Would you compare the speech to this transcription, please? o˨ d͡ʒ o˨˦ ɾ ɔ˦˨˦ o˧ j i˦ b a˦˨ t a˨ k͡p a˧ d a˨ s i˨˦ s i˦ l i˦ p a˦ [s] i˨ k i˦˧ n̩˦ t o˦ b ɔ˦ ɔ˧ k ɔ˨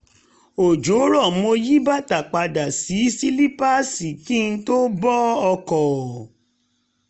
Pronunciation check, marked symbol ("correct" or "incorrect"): correct